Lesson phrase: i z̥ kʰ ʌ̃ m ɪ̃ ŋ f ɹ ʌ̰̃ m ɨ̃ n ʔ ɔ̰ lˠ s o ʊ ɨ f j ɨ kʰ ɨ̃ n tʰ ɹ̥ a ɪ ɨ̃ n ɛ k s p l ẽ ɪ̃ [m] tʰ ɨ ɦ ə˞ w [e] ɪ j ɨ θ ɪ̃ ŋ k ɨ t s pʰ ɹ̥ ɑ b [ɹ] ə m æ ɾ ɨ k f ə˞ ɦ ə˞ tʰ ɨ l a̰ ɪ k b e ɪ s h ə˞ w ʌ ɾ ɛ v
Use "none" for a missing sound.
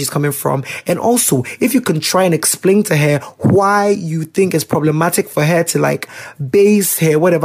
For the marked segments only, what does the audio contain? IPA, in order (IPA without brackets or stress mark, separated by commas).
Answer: n, a, l